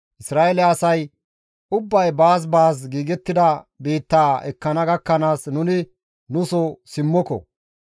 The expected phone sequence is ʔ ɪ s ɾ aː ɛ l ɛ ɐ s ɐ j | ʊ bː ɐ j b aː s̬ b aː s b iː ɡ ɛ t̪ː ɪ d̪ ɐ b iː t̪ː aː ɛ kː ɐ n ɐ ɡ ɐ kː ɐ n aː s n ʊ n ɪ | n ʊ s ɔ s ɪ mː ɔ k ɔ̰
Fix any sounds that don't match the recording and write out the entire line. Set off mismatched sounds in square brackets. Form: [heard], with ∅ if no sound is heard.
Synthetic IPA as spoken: ʔ ɪ s ɾ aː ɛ l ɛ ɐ s ɐ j | ʊ bː ɐ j b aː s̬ b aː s [ɡ] iː ɡ ɛ t̪ː ɪ d̪ ɐ b iː t̪ː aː ɛ kː ɐ n ɐ ɡ ɐ kː ɐ n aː s n ʊ n ɪ | n ʊ s ɔ s ɪ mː ɔ k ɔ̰